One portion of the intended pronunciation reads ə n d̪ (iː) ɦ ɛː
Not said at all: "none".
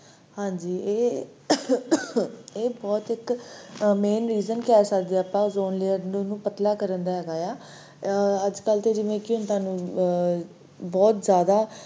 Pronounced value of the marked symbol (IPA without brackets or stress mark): aː